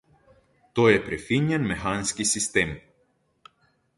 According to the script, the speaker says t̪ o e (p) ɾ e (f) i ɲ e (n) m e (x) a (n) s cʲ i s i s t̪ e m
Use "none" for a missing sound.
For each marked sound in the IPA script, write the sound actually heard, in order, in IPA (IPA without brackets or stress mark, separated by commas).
p, f, n, x, n